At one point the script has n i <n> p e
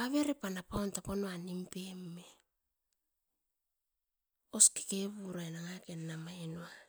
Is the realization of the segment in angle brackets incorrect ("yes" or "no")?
yes